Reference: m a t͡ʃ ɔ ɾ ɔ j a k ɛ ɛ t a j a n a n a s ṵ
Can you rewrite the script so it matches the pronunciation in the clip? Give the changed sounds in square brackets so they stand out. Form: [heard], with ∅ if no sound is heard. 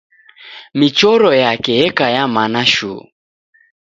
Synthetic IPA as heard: m [i] t͡ʃ ɔ ɾ ɔ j a k ɛ ɛ [k] a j a [m] a n a [ʃ] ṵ